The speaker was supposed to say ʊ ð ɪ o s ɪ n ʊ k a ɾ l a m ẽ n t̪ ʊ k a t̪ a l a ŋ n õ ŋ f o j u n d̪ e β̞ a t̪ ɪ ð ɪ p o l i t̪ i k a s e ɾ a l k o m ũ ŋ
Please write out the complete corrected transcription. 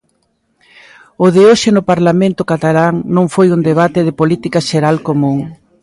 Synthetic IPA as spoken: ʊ ð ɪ o ʃ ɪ n ʊ p a ɾ l a m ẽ n t̪ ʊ k a t̪ a l a ŋ n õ ŋ f o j u n d̪ e β̞ a t̪ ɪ ð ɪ p o l i t̪ i k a ʃ e ɾ a l k o m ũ ŋ